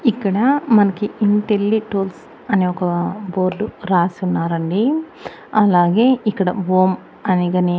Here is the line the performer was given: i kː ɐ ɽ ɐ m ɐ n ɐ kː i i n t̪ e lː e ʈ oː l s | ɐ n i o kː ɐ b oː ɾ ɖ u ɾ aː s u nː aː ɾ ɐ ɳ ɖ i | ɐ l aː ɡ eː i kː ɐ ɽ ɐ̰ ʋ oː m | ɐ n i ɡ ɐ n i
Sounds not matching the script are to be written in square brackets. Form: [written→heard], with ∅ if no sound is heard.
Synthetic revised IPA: i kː ɐ ɽ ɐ m ɐ n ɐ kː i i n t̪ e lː [e→i] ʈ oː l s | ɐ n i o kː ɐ b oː ɾ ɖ u ɾ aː s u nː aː ɾ ɐ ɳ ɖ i | ɐ l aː ɡ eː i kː ɐ ɽ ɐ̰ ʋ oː m | ɐ n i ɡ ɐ n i